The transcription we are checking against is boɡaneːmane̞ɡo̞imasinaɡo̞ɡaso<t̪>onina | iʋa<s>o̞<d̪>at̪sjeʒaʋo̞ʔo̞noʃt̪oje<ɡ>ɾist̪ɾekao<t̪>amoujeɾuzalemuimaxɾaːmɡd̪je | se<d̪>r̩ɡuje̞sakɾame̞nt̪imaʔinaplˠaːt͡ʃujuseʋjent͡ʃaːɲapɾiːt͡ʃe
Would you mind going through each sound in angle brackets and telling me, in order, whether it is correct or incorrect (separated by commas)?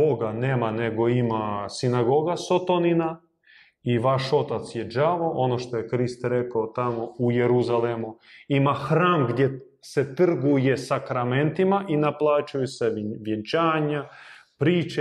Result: correct, incorrect, incorrect, incorrect, correct, incorrect